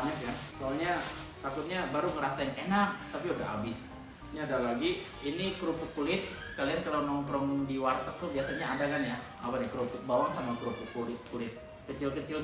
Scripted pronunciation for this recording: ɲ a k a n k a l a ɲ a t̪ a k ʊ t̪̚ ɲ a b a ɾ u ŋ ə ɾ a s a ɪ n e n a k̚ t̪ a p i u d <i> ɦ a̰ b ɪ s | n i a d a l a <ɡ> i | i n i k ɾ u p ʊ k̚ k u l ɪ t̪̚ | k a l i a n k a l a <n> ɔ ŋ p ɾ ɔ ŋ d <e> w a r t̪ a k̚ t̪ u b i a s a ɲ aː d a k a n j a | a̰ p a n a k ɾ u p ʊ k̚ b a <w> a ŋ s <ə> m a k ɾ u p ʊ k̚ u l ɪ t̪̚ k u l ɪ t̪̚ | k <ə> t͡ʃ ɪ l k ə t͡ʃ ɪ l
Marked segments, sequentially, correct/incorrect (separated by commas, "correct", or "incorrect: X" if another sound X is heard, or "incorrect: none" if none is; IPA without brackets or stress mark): incorrect: a, correct, correct, incorrect: i, correct, incorrect: a, correct